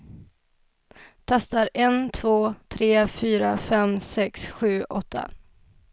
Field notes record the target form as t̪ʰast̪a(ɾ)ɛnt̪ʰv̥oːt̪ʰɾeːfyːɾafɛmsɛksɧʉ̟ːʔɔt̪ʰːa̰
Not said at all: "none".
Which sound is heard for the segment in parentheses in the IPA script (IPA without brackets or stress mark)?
ɾ